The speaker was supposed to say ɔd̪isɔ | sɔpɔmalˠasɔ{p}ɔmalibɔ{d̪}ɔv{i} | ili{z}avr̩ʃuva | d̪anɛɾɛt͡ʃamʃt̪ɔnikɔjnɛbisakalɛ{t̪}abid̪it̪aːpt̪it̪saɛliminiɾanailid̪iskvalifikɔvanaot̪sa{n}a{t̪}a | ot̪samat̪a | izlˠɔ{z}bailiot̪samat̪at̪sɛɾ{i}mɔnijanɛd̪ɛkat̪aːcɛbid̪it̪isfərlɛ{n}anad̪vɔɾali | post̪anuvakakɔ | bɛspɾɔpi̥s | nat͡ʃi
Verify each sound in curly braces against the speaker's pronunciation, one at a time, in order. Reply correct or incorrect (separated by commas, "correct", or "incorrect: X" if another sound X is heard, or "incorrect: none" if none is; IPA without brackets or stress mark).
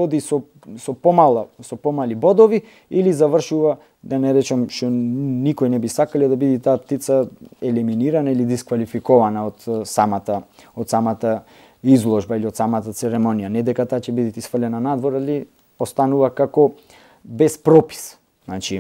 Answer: correct, correct, correct, correct, incorrect: d̪, incorrect: m, correct, incorrect: ʒ, incorrect: ɛ, correct